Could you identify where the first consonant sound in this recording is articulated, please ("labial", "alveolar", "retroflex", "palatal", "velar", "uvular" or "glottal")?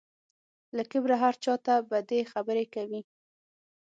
alveolar